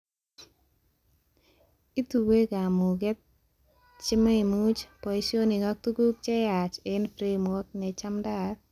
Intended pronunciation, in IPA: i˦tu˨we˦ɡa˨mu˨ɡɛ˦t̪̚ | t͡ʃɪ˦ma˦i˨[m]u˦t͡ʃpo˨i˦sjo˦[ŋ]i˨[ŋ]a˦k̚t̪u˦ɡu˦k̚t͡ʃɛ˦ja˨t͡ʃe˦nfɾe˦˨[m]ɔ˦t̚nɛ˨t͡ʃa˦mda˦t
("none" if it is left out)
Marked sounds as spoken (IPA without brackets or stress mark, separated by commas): m, n, ŋ, m